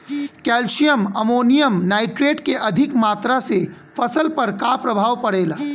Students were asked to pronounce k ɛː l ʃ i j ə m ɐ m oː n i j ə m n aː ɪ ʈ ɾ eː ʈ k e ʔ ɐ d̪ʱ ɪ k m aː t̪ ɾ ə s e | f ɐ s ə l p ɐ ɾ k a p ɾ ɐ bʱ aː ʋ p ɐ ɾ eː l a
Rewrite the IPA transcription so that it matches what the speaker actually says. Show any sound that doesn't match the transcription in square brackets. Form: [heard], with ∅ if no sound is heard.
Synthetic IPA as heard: k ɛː l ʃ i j ə m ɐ m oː n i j ə m n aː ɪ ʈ ɾ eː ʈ k e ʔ ɐ d̪ʱ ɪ k m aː t̪ ɾ [a] s e | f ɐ s ə l p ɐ ɾ k a p ɾ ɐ bʱ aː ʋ p ɐ [ɽ] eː l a